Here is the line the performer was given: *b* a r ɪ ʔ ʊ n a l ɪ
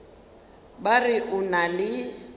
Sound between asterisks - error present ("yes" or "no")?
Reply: no